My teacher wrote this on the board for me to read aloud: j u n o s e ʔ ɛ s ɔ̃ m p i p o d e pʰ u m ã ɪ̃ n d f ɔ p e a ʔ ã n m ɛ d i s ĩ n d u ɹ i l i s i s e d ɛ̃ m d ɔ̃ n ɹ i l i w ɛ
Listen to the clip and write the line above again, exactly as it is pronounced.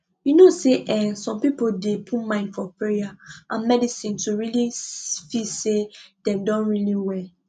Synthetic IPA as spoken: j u n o s e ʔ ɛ s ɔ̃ m p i p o d e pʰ u m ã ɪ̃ n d f ɔ p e a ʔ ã n m ɛ d i s ĩ n t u ɹ i l i f i s e d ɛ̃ m d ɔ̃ n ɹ i l i w ɛ